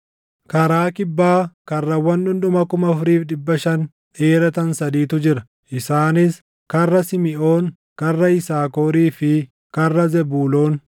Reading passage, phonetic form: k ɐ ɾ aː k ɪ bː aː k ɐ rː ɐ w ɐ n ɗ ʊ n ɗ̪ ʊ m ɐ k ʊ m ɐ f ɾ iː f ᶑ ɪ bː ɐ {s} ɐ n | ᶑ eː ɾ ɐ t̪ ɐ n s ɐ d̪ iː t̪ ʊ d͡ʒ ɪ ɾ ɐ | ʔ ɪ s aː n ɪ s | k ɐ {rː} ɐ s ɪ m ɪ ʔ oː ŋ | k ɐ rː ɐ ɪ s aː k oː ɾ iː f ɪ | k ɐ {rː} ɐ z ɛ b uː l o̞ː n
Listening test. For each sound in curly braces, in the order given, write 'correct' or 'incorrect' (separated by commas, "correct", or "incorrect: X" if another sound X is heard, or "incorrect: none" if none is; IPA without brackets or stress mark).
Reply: incorrect: ʃ, correct, correct